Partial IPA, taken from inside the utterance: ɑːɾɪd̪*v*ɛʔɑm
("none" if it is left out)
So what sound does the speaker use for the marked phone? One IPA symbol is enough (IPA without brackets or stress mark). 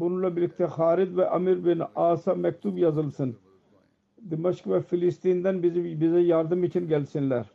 v